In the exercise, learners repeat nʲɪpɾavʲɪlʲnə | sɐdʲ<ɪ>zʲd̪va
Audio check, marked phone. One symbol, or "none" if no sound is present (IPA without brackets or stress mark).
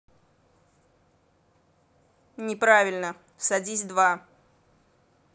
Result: i